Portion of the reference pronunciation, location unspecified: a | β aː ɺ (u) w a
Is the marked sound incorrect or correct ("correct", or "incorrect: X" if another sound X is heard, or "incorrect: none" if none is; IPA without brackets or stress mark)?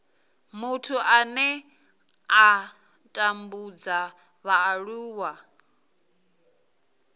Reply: incorrect: uː